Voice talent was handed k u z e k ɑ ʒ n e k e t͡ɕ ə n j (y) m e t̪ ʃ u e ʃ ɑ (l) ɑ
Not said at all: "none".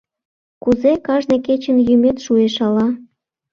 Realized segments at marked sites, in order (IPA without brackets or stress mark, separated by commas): y, l